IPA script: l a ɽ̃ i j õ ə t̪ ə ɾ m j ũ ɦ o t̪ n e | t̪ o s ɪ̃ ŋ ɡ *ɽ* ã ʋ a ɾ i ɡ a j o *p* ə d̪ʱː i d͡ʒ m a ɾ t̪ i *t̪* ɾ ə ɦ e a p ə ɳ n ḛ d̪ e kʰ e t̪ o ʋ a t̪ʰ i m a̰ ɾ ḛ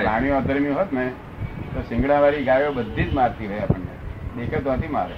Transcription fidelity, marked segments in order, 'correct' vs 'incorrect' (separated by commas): correct, incorrect, incorrect